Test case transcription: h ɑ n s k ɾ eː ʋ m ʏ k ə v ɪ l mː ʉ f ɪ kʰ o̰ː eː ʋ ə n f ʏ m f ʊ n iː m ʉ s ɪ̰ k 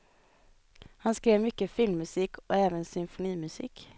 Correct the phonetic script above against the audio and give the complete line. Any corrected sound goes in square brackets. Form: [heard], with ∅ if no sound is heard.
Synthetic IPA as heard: h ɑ n s k ɾ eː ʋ m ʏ k ə [f] ɪ l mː ʉ [s] ɪ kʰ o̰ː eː ʋ ə n [s] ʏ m f ʊ n iː m ʉ s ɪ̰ k